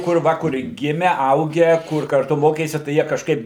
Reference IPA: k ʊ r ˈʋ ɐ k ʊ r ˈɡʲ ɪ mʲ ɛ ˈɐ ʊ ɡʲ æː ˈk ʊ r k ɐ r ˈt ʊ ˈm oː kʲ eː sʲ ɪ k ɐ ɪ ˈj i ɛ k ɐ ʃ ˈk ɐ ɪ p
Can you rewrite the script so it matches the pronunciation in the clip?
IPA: k ʊ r ˈʋ ɐ k ʊ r ˈɡʲ ɪ mʲ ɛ ˈɐ ʊ ɡʲ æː ˈk ʊ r k ɐ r ˈt ʊ ˈm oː kʲ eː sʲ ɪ t ɐ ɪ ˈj i ɛ k ɐ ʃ ˈk ɐ ɪ p